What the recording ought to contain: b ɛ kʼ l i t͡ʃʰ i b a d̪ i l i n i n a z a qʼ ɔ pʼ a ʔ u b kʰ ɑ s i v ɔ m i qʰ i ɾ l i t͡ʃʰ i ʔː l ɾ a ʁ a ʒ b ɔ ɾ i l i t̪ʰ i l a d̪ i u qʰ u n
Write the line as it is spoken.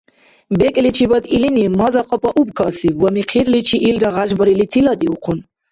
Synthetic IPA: b ɛ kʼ l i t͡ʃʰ i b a d̪ i l i n i m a z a qʼ ɔ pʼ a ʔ u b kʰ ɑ s i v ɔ m i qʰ i ɾ l i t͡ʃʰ i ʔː l ɾ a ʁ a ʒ b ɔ ɾ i l i t̪ʰ i l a d̪ i u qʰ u n